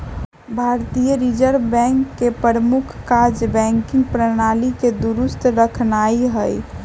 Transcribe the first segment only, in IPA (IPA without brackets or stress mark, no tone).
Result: bʱ